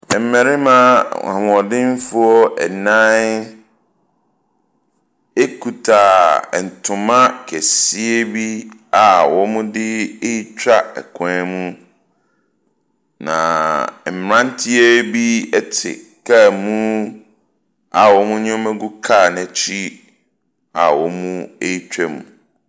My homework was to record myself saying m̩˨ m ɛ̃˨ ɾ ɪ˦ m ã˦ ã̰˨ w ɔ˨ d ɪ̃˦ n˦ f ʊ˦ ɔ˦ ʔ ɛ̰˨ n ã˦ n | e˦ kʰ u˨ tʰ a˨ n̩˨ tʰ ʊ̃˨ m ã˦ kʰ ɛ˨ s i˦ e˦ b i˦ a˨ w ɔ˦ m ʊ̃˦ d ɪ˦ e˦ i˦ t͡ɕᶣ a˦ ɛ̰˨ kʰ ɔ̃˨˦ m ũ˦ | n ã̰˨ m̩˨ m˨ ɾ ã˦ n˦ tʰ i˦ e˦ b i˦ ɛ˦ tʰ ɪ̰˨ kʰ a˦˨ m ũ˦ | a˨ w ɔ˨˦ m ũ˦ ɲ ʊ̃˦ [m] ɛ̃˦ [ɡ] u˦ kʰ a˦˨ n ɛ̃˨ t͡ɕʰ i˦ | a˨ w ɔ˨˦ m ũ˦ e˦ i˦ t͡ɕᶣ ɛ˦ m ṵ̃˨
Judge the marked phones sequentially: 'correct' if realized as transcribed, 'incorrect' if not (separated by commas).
correct, correct